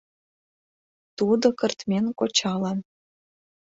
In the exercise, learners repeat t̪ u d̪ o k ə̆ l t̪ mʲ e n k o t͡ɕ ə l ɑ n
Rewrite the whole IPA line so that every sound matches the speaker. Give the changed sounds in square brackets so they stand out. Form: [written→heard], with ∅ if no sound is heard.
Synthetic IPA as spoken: t̪ u d̪ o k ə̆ [l→r] t̪ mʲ e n k o t͡ɕ [ə→ɑ] l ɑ n